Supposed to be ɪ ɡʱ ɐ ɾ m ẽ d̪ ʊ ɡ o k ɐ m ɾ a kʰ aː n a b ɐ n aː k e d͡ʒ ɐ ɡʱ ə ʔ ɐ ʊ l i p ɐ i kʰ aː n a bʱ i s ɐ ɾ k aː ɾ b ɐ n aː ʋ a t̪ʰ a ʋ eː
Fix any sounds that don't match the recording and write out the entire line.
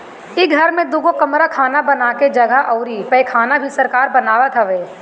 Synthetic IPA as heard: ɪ ɡʱ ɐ ɾ m ẽ d̪ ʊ ɡ o k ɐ m ɾ a kʰ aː n a b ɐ n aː k e d͡ʒ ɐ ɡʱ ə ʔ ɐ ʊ ɾ i p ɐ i kʰ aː n a bʱ i s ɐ ɾ k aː ɾ b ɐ n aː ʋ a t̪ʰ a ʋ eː